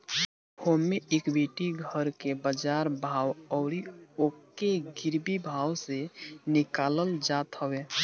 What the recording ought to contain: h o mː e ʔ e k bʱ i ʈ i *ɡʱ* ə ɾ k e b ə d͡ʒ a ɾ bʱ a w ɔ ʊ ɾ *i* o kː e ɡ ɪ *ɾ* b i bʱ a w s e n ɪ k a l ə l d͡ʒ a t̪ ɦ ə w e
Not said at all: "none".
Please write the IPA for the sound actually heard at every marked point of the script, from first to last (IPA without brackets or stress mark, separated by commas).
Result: ɡʱ, i, ɾ